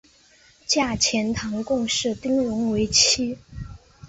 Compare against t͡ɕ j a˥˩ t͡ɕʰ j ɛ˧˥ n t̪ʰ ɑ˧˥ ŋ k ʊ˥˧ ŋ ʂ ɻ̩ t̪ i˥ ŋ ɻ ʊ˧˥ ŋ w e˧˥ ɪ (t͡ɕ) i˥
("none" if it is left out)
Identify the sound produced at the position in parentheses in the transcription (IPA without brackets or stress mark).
t͡ɕʰ